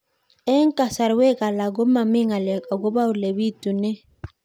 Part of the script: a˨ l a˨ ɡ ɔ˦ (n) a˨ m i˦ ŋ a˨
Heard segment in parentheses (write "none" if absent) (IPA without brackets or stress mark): m